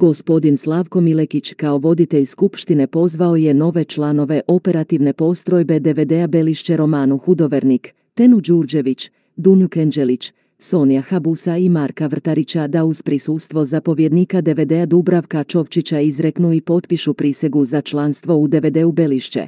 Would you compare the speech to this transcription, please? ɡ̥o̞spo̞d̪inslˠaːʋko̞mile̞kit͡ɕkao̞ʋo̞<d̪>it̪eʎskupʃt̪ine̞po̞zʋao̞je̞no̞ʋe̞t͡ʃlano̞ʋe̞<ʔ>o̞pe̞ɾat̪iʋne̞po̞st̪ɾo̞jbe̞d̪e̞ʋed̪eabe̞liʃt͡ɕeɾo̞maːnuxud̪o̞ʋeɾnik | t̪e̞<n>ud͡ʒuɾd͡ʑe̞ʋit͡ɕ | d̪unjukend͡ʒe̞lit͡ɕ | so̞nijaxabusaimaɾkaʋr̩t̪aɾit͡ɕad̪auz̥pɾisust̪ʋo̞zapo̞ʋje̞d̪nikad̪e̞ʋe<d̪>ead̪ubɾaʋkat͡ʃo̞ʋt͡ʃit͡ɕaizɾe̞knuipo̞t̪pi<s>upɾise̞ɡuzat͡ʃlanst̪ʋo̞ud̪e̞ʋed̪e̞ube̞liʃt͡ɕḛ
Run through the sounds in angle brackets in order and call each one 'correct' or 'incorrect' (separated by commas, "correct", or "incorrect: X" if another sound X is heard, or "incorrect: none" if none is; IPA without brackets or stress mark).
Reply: correct, correct, correct, correct, incorrect: ʃ